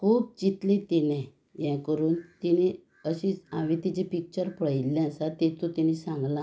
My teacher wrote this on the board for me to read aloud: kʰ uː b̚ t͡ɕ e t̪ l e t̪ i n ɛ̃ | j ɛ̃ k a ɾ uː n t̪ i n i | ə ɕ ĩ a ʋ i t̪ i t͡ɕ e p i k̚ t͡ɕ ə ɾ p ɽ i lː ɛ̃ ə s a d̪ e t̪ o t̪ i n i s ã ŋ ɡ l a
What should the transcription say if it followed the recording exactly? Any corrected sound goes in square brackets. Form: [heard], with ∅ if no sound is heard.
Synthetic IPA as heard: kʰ uː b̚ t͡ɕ [i] t̪ l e t̪ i n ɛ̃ | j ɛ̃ k [ə] ɾ uː n t̪ i n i | ə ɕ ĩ a ʋ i t̪ i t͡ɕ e p i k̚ t͡ɕ ə ɾ p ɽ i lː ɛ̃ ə s a [t̪] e t̪ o t̪ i n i s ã ŋ ɡ l a